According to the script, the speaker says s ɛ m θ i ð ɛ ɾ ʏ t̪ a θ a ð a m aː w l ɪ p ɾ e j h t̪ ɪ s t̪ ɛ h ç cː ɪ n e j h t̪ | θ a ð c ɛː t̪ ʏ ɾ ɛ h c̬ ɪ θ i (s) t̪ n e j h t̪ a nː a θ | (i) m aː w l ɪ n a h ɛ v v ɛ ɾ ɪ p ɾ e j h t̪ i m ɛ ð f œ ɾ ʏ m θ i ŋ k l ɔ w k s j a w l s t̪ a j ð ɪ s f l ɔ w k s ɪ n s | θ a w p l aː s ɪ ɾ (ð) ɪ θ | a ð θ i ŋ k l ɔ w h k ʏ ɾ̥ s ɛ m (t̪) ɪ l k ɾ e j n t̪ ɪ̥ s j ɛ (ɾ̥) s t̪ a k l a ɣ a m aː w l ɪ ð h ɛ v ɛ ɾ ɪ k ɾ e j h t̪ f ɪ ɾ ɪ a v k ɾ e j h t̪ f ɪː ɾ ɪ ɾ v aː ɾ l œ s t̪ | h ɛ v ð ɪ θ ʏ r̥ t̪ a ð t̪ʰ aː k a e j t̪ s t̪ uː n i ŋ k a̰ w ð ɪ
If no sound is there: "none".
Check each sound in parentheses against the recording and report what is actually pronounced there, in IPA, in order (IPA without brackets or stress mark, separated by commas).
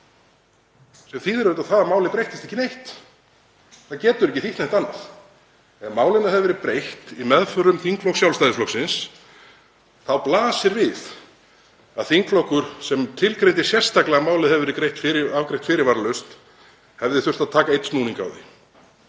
h, ɛ, v, t̪ʰ, r̥